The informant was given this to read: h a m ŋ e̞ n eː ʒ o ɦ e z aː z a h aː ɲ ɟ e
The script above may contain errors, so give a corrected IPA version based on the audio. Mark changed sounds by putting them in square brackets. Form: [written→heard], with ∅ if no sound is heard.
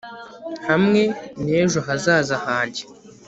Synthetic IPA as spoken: h a m ŋ e̞ n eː ʒ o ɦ [e→a] z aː z a h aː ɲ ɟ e